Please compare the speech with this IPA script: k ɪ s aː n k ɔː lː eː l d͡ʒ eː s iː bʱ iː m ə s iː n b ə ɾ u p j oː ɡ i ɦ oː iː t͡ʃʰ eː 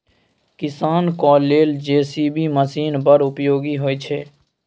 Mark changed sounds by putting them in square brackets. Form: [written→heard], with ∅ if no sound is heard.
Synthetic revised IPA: k ɪ s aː n k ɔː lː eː l d͡ʒ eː s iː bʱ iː m ə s iː n b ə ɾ [u→ʊ] p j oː ɡ i ɦ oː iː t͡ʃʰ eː